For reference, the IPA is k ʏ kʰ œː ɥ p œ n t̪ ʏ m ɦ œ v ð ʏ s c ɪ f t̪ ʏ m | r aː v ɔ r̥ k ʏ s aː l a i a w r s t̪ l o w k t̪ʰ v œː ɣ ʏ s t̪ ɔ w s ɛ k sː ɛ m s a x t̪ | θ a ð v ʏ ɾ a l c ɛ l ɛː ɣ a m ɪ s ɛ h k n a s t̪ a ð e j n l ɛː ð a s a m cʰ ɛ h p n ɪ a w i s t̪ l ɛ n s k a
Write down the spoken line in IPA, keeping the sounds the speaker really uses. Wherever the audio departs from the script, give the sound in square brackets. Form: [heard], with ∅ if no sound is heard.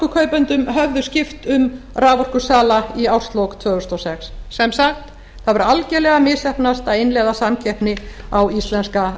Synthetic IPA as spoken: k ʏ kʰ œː ɥ p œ n t̪ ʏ m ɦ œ v ð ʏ s c ɪ f t̪ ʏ m | r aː v ɔ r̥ k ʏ s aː l a i a w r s t̪ l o w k t̪ʰ v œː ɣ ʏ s t̪ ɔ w s ɛ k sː ɛ m s a x t̪ | θ a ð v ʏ ɾ a l c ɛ l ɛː ɣ a m ɪ s ɛ h [p] n a s t̪ a ð e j n l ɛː ð a s a m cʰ ɛ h p n ɪ a w i s t̪ l ɛ n s k a